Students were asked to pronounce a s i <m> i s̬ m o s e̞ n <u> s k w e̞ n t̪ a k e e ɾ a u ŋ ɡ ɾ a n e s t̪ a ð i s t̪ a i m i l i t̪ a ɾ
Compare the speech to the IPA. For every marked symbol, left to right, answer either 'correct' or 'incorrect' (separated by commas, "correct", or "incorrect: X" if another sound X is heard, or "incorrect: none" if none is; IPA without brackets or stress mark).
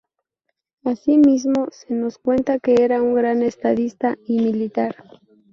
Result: correct, incorrect: o